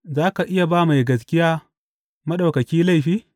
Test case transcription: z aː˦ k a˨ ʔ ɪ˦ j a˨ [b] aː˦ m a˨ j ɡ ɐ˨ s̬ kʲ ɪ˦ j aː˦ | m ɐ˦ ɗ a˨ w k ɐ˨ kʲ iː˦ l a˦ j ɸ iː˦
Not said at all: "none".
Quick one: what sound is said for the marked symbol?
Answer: b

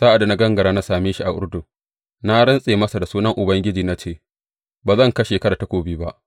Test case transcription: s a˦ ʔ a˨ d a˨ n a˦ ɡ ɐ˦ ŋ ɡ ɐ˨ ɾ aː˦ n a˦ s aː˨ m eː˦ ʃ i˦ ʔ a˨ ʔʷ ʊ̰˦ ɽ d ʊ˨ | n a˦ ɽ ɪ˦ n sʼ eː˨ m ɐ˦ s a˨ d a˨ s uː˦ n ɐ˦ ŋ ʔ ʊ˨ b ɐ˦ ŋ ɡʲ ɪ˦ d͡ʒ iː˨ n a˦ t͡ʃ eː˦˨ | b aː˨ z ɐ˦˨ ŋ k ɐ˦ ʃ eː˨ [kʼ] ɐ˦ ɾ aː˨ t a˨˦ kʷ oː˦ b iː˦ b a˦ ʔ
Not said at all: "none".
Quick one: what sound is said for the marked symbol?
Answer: k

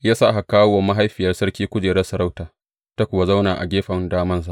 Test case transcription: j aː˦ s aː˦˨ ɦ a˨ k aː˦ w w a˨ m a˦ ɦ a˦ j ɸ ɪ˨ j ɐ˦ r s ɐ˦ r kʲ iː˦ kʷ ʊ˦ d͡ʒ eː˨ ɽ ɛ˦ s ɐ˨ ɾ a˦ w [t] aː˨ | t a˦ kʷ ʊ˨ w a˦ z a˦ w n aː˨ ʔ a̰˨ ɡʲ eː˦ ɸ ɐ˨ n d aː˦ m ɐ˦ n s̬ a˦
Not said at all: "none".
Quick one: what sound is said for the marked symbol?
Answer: t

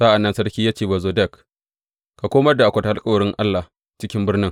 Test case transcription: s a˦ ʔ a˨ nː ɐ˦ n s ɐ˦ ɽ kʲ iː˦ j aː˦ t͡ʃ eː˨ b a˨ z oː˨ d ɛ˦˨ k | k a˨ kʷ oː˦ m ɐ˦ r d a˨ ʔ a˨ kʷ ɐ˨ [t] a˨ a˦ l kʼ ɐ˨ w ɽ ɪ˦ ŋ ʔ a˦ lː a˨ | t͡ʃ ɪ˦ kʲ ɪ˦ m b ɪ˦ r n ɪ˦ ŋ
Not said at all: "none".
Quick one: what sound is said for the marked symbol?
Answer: t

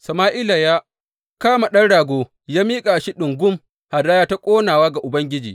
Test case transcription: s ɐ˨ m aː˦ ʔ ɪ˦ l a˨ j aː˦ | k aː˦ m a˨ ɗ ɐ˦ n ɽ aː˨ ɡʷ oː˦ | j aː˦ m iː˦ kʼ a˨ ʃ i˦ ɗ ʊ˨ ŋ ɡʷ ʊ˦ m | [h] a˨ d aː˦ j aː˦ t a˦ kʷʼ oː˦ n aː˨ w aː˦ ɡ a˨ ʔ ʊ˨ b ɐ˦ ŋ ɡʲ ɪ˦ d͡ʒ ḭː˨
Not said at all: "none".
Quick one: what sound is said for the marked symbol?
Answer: h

